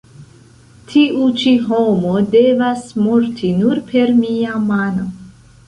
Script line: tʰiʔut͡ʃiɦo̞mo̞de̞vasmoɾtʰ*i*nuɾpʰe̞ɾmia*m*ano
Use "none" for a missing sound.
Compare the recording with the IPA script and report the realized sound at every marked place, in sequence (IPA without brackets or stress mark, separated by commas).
i, m